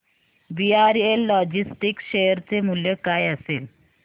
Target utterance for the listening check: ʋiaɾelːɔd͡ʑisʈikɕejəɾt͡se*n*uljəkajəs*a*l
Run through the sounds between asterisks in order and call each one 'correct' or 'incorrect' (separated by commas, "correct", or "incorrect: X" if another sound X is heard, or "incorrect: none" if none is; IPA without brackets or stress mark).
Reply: incorrect: m, incorrect: e